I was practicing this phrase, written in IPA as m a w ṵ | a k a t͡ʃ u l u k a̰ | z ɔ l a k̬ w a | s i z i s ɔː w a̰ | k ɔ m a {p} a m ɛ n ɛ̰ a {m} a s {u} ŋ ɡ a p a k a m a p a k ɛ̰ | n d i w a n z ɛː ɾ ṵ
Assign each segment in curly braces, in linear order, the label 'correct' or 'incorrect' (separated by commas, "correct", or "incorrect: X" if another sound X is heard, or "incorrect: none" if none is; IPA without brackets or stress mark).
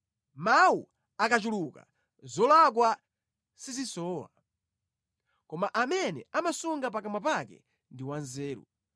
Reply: incorrect: ʔ, correct, correct